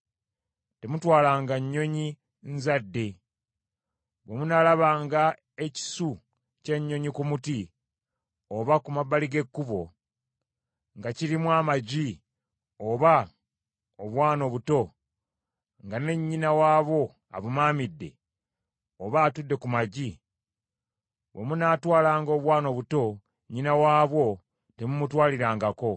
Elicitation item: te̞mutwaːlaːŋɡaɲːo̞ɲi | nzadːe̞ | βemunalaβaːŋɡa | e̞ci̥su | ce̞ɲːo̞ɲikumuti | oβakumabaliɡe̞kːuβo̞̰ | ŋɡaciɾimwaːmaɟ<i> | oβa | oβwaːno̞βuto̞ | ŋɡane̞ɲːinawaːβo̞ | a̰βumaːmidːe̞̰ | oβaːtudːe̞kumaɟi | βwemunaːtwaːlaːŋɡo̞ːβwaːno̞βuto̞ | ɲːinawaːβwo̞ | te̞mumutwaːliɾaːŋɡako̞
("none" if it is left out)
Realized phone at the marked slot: i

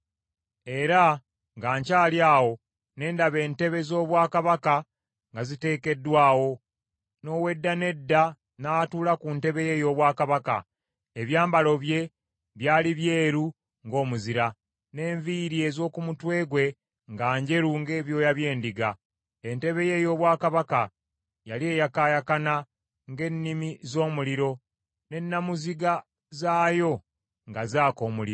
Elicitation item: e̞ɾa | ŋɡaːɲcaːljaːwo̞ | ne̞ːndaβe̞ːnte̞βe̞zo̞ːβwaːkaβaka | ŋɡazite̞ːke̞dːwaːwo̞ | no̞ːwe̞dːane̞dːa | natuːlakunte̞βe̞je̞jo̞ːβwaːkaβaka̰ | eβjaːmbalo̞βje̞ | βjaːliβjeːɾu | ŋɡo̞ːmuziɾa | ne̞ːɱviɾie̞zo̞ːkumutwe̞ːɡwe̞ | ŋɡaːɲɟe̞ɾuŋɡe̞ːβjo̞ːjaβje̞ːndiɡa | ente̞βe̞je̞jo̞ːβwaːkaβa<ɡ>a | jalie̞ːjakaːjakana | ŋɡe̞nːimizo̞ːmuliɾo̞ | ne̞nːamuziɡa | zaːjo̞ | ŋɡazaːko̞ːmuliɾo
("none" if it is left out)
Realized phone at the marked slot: k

